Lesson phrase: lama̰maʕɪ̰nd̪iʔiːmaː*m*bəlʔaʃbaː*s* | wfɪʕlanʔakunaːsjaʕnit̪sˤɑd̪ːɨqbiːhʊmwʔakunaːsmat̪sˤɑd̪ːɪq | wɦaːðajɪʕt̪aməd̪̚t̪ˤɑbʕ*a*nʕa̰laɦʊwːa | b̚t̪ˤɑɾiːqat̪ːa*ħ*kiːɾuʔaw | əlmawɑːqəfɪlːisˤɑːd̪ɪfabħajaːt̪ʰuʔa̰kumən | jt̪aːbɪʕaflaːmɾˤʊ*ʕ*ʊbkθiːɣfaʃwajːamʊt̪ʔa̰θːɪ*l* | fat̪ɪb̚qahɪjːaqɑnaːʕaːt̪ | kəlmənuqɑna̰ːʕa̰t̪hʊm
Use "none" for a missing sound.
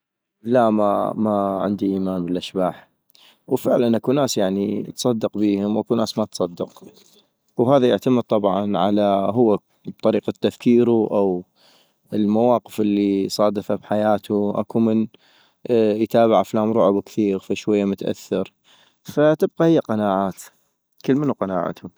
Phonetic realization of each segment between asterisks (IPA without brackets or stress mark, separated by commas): n, ħ, ɑ, f, ʕ, ɾ